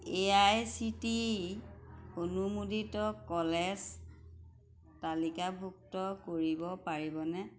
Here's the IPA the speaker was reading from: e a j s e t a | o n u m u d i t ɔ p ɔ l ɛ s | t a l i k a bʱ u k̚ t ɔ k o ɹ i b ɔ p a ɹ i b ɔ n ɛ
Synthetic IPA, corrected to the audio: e a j s i t i | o n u m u d i t ɔ k ɔ l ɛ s | t a l i k a bʱ u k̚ t ɔ k o ɹ i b ɔ p a ɹ i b ɔ n ɛ